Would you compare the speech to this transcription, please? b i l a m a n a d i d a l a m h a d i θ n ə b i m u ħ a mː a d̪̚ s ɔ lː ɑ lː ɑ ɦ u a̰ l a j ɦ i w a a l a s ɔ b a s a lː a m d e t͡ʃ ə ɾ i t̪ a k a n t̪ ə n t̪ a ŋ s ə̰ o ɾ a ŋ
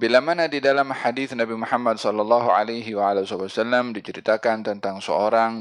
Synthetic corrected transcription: b i l a m a n a d i d a l a m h a d i θ n a b i m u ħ a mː a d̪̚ s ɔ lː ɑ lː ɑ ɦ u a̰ l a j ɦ i w a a l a s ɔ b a s a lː a m d i t͡ʃ ə ɾ i t̪ a k a n t̪ ə n t̪ a ŋ s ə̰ o ɾ a ŋ